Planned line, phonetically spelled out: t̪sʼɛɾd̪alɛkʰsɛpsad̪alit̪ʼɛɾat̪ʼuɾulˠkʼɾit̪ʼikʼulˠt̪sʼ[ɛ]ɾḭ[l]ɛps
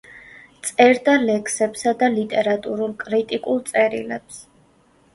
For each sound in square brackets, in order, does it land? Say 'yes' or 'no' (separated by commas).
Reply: yes, yes